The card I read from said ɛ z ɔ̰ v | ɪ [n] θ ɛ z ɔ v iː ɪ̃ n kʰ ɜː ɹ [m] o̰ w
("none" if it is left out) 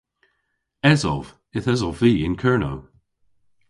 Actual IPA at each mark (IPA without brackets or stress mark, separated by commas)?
none, n